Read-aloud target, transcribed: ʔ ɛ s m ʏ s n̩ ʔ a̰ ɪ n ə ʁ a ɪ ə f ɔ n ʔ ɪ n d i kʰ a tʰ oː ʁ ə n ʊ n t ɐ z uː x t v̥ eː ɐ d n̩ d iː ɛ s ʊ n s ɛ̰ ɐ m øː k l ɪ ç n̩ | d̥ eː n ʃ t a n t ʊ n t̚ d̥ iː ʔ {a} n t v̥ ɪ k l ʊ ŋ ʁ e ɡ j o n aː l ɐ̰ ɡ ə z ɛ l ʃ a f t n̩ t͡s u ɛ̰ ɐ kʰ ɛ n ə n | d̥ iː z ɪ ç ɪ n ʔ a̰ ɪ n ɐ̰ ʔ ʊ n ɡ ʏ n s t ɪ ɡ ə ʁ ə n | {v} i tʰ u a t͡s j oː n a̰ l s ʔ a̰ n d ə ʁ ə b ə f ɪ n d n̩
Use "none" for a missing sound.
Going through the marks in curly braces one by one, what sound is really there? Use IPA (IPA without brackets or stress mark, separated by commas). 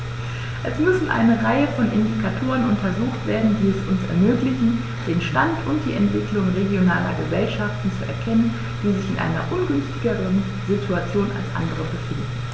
ɛ, z